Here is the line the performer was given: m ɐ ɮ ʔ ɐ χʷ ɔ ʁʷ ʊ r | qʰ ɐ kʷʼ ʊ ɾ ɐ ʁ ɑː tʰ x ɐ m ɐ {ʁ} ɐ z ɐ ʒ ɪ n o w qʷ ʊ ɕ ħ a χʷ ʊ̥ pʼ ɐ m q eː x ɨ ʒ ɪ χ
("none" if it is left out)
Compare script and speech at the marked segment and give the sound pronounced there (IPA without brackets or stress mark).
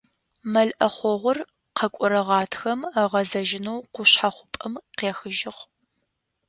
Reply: ʁ